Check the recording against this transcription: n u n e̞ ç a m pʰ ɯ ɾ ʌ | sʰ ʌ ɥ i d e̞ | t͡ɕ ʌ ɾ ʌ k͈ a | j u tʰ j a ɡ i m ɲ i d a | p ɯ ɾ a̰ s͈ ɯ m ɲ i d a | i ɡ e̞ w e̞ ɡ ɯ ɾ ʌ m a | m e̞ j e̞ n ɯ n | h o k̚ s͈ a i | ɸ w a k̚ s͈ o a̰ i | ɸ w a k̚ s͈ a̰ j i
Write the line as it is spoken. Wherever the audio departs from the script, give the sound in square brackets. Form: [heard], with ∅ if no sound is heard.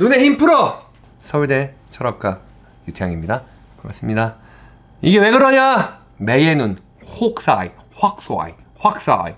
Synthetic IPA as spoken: n u n e̞ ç [i] m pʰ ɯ ɾ ʌ | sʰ ʌ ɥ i d e̞ | [t͡ɕʰ] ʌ ɾ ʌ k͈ a | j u tʰ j a [ŋ] i m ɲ i d a | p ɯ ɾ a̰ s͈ ɯ m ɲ i d a | i ɡ e̞ w e̞ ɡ ɯ ɾ ʌ [ɲ] a | m e̞ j e̞ n ɯ n | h o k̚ s͈ a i | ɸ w a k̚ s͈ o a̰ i | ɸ w a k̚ s͈ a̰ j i